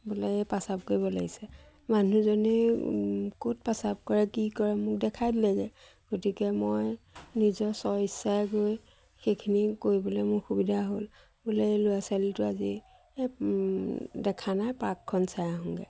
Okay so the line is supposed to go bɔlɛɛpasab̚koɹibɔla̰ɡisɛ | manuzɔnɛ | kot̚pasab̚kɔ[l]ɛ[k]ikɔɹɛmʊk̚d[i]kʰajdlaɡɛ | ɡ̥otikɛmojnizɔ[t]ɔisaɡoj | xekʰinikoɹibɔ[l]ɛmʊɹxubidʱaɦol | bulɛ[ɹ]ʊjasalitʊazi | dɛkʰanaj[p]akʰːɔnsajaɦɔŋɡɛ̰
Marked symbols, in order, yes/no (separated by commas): no, yes, no, no, yes, no, yes